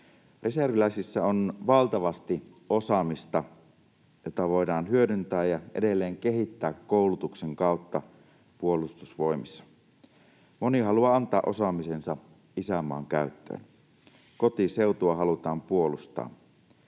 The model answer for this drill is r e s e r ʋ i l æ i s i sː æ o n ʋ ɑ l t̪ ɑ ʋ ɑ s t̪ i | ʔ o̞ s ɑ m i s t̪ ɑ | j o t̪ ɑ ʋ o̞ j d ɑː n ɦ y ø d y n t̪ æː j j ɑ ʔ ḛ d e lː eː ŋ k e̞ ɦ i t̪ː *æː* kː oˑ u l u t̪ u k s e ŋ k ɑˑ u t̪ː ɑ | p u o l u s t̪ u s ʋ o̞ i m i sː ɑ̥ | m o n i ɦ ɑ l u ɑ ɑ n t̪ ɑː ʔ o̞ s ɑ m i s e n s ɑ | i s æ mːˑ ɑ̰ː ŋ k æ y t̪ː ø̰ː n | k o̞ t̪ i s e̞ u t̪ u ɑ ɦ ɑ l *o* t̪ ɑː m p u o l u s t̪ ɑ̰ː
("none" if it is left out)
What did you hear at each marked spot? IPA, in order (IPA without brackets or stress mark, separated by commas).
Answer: æː, u